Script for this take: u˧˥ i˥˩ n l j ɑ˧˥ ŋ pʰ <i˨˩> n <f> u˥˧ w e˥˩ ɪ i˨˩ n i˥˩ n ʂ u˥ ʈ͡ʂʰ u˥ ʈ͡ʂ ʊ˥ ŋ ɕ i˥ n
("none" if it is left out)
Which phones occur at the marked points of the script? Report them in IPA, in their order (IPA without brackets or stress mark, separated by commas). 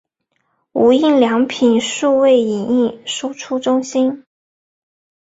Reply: i˨˩, ʂ